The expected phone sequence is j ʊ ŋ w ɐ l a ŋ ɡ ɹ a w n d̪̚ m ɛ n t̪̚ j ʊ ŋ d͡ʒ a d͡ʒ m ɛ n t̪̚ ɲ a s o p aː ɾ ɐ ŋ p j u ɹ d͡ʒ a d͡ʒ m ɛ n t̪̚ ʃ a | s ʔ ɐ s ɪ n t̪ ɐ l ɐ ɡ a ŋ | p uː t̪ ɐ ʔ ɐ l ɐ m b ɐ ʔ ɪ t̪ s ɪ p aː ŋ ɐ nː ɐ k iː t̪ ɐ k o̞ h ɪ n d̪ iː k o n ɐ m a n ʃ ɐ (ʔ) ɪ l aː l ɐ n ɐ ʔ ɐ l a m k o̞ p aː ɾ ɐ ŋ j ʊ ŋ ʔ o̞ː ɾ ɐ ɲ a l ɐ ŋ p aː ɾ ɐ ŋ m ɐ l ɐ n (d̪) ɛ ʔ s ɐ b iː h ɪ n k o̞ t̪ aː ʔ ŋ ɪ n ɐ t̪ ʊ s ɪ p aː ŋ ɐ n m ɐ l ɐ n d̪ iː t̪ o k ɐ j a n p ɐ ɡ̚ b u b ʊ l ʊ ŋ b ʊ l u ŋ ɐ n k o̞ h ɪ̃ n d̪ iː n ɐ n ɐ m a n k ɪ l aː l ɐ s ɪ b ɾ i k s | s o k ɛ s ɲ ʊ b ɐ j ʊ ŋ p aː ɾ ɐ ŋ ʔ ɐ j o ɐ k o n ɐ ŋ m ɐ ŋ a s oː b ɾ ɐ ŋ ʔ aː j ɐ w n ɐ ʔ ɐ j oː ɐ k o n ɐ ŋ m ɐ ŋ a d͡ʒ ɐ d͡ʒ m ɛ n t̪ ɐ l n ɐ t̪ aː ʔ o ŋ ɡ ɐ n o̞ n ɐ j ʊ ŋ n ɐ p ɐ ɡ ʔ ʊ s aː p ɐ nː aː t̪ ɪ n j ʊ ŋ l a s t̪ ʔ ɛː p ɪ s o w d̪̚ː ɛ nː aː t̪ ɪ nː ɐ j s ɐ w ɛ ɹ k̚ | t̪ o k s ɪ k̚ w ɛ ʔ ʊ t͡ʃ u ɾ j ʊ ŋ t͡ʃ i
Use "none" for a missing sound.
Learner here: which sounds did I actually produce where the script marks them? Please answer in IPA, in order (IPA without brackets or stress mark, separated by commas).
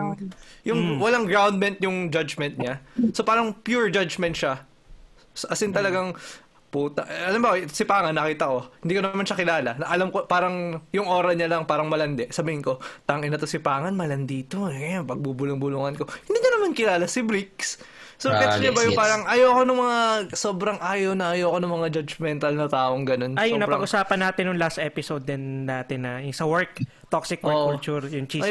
k, d̪